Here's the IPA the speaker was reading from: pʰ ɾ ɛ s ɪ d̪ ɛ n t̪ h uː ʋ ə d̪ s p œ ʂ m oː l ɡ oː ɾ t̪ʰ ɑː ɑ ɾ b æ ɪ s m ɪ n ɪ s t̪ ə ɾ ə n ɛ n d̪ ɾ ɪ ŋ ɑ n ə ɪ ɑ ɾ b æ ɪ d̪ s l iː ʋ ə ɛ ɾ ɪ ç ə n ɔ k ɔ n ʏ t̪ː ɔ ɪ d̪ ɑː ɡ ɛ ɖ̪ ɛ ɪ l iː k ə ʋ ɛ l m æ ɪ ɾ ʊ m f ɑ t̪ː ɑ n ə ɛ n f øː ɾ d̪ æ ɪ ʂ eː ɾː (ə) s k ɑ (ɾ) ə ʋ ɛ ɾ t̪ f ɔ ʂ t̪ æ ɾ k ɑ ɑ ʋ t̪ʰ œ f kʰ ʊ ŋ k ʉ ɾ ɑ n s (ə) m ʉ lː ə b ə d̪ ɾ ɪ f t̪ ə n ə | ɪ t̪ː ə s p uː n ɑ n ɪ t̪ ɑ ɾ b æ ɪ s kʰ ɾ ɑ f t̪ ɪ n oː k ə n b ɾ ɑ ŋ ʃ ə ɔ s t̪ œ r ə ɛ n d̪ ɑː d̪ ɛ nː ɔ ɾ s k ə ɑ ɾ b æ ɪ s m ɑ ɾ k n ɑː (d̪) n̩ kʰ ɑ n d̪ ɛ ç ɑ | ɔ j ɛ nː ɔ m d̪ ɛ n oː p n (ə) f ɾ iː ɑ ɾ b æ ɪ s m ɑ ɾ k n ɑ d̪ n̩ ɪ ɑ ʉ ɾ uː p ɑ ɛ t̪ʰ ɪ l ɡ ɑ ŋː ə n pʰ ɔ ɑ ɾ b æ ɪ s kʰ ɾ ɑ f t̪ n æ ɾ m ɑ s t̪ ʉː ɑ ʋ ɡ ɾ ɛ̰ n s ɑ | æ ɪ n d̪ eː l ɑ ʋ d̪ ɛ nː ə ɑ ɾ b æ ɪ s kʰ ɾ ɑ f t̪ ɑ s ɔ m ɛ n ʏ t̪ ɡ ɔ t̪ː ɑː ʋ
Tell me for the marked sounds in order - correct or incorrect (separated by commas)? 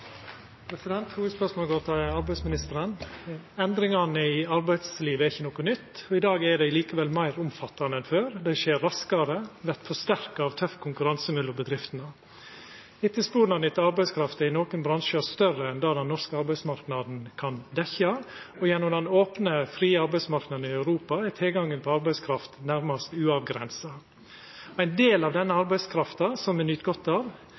incorrect, correct, correct, correct, correct